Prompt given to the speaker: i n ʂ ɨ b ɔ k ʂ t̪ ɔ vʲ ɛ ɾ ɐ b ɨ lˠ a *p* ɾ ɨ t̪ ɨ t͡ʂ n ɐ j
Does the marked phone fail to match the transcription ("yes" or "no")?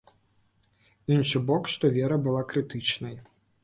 yes